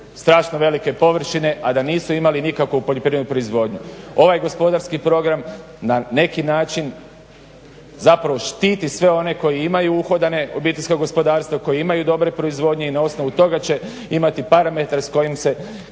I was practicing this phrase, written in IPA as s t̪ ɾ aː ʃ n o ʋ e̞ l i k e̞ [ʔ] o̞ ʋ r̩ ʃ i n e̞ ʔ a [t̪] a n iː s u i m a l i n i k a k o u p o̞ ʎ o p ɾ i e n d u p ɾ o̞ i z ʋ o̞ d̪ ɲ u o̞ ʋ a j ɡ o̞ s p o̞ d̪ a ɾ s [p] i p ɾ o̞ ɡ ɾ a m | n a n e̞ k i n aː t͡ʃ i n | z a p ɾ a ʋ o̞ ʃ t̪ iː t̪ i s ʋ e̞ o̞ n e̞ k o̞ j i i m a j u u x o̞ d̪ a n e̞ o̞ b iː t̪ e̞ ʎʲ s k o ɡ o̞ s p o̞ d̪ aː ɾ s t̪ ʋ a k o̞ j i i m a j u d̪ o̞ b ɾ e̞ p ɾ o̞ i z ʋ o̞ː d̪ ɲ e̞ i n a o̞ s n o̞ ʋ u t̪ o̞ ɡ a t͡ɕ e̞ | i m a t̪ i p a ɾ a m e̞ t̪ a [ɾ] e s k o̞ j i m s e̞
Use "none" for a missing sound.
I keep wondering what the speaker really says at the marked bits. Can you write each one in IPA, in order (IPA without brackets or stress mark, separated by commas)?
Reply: p, d̪, k, ɾ